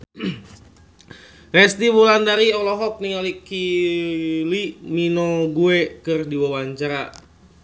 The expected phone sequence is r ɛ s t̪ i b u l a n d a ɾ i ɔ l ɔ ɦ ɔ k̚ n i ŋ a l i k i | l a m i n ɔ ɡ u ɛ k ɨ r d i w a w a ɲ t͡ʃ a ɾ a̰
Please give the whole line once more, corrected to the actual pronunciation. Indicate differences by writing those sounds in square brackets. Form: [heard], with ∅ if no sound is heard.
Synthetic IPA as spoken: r ɛ s t̪ i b u l a n d a ɾ i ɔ l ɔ ɦ ɔ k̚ n i ŋ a l i k i | l [i] m i n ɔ ɡ u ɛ k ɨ r d i w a w a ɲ t͡ʃ a ɾ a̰